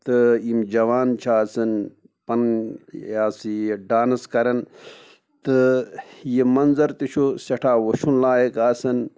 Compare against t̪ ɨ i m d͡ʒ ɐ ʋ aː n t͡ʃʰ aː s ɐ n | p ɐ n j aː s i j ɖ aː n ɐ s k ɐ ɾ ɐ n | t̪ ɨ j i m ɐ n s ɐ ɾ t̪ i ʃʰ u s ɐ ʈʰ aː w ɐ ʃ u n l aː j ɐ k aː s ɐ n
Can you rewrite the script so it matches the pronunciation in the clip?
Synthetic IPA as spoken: t̪ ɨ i m d͡ʒ ɐ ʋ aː n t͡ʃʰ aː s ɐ n | p ɐ n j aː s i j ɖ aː n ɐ s k ɐ ɾ ɐ n | t̪ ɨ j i m ɐ n z ɐ ɾ t̪ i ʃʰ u s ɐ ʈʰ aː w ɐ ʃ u n l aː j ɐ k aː s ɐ n